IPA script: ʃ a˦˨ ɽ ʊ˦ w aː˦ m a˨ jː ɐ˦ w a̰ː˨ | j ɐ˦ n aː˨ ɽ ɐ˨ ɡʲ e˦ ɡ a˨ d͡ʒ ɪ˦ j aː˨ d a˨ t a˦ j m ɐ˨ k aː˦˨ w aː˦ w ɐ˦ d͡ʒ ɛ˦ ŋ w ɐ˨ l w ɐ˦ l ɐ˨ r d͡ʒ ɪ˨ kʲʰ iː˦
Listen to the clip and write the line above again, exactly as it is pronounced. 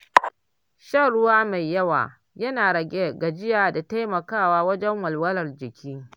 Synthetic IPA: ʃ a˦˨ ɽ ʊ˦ w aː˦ m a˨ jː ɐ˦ w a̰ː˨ | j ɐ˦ n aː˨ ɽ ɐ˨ ɡʲ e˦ ɡ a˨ d͡ʒ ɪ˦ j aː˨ d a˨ t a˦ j m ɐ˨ k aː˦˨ w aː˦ w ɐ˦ d͡ʒ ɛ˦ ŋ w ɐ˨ l w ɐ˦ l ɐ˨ r d͡ʒ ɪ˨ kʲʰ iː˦